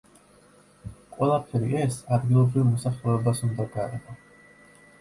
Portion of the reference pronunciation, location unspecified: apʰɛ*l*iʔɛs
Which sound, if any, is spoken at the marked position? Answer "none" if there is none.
ɾ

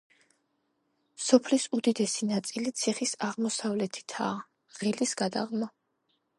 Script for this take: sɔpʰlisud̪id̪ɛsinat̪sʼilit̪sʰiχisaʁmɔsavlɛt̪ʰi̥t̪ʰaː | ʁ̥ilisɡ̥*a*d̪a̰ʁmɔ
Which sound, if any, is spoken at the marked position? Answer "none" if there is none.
a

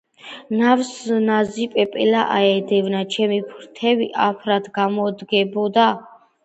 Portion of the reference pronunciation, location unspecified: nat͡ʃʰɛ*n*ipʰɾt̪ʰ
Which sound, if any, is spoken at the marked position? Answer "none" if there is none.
m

